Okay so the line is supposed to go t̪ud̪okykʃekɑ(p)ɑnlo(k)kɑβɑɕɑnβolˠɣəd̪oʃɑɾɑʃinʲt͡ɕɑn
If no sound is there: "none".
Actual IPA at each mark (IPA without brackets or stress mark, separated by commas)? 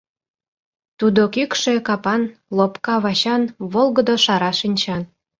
p, p